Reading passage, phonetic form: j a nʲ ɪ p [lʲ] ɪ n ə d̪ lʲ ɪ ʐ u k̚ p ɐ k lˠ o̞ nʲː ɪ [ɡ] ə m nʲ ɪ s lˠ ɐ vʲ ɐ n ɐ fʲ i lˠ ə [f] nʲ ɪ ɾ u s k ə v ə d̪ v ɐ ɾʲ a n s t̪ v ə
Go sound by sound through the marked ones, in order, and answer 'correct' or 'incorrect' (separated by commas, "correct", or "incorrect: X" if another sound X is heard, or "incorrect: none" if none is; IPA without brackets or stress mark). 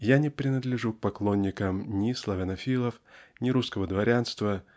incorrect: ɾʲ, incorrect: k, correct